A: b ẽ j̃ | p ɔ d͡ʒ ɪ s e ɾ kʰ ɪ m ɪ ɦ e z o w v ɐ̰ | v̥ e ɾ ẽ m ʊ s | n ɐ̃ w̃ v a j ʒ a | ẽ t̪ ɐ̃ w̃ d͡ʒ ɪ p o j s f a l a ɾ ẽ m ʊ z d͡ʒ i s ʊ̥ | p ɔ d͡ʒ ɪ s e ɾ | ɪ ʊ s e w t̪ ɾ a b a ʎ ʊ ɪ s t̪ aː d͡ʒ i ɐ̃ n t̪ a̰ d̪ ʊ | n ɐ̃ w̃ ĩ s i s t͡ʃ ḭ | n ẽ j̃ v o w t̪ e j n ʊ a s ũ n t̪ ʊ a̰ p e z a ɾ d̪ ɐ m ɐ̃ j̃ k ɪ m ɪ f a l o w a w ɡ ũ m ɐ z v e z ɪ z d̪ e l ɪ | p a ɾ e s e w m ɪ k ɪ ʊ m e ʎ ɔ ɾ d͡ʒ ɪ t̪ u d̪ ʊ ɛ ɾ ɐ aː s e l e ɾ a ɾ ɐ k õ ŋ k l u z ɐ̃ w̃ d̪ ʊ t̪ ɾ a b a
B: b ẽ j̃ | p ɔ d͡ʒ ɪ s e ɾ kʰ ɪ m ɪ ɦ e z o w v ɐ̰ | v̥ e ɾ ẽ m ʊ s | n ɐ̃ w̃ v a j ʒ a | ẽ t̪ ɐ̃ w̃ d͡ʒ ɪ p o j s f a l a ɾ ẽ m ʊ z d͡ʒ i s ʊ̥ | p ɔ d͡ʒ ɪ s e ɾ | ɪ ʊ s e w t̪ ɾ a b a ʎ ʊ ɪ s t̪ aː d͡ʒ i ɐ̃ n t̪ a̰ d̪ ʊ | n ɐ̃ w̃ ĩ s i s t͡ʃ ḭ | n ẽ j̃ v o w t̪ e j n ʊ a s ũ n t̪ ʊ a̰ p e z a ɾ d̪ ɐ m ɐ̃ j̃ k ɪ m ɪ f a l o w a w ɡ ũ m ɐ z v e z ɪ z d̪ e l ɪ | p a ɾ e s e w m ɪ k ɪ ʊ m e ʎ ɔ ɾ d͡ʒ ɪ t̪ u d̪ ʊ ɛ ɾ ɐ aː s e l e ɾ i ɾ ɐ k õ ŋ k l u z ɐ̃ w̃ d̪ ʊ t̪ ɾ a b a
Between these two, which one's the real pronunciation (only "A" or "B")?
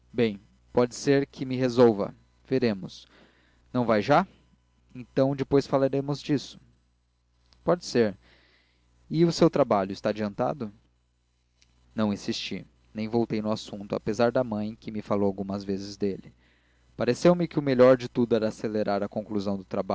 A